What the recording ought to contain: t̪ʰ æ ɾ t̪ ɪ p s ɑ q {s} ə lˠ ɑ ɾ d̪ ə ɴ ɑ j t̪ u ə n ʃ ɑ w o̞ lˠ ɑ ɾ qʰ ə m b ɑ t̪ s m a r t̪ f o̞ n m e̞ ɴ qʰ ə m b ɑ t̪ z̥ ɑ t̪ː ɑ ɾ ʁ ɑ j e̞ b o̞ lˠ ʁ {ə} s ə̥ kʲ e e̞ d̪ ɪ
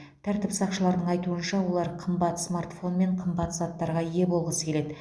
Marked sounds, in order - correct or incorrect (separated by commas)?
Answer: incorrect, correct